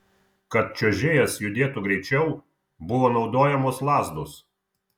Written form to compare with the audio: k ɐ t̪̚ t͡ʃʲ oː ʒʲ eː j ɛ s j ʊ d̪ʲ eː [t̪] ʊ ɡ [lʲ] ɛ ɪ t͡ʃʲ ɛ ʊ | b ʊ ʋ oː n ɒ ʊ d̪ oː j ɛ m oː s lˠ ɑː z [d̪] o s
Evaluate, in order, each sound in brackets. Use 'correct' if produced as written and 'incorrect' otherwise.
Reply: correct, incorrect, correct

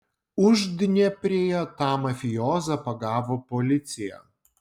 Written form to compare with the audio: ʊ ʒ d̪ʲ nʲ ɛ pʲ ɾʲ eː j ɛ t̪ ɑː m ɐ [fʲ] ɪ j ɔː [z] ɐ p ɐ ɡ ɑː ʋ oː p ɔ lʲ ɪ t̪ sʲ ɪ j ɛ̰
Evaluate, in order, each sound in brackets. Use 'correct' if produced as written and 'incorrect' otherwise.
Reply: correct, correct

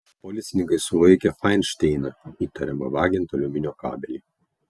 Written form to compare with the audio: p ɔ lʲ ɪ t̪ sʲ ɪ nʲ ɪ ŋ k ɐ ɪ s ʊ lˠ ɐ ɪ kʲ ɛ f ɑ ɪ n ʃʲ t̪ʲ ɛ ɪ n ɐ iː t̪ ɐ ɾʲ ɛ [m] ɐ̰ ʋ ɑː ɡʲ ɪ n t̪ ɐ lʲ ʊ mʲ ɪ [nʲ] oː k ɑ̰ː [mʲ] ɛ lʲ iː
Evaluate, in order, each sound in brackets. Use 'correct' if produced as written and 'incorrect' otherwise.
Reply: correct, correct, incorrect

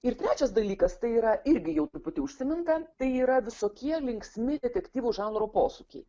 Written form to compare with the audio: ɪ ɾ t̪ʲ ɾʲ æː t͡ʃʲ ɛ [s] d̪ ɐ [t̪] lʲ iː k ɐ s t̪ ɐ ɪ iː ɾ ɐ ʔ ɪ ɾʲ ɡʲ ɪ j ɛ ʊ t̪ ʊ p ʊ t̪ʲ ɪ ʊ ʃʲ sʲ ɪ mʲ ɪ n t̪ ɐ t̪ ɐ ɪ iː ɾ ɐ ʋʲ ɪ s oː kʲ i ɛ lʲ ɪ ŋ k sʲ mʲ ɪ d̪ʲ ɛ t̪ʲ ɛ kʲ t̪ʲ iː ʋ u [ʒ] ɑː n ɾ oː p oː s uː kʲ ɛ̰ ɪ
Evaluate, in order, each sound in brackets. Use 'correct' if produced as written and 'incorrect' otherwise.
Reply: correct, incorrect, correct

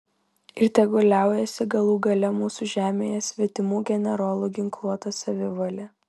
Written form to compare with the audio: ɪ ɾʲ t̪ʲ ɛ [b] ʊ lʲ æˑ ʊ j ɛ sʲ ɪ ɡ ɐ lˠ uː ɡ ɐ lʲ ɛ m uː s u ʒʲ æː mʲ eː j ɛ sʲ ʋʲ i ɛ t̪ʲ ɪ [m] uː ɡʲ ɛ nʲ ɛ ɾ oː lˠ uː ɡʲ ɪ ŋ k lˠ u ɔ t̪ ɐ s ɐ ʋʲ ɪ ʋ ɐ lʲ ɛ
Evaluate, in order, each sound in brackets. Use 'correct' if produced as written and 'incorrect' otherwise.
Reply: incorrect, correct

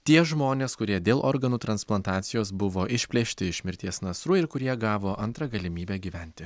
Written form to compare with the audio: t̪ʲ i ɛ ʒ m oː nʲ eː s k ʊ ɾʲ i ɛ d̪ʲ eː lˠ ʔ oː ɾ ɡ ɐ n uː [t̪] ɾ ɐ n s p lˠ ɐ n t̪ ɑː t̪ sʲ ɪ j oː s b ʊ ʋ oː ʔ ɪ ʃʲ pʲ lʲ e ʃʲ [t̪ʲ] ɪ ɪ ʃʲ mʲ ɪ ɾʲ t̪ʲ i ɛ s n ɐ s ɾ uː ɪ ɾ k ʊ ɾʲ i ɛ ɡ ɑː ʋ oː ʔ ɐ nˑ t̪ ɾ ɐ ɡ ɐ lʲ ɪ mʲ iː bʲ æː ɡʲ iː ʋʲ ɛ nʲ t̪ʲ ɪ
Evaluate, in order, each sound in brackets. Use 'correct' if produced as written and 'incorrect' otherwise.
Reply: correct, correct

